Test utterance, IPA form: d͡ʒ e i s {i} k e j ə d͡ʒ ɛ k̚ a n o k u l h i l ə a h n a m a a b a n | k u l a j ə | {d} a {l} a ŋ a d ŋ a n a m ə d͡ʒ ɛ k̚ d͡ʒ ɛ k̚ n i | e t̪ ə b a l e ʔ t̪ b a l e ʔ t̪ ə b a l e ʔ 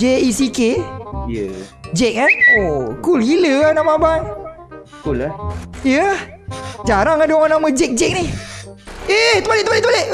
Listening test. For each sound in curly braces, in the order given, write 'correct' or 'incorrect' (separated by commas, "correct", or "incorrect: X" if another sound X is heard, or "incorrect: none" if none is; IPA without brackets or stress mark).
correct, incorrect: d͡ʒ, incorrect: ɾ